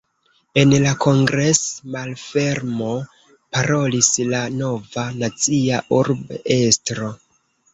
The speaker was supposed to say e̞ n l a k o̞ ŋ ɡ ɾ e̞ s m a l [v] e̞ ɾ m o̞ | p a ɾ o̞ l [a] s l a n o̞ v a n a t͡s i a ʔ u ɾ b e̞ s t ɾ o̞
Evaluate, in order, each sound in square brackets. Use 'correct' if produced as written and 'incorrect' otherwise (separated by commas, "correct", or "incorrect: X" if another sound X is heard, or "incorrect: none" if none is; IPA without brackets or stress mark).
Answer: incorrect: f, incorrect: i